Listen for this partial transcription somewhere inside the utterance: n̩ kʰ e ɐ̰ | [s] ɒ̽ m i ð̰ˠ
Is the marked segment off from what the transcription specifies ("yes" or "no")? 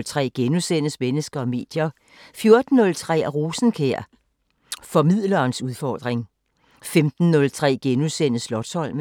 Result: yes